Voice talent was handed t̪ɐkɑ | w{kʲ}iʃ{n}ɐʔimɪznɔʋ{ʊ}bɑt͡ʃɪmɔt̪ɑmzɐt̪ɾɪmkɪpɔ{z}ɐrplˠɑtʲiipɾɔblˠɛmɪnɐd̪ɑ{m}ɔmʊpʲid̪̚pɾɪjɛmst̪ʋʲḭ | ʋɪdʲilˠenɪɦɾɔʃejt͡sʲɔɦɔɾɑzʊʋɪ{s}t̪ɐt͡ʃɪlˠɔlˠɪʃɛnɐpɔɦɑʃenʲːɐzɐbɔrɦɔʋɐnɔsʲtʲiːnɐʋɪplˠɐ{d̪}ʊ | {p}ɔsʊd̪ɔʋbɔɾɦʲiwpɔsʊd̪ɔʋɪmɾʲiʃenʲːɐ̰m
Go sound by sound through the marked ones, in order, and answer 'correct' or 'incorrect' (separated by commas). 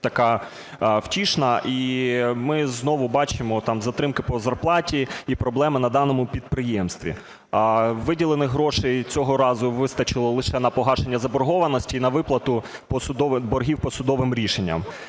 incorrect, correct, correct, correct, incorrect, correct, incorrect, correct